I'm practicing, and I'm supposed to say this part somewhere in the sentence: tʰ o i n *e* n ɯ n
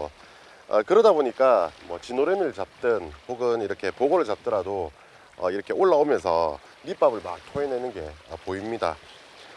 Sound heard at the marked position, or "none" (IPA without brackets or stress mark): e